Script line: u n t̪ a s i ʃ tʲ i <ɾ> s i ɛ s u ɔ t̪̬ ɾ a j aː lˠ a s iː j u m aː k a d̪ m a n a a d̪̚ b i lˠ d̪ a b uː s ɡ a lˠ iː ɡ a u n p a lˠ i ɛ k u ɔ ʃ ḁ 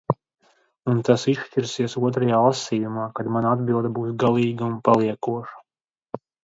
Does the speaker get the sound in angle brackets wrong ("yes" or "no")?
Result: no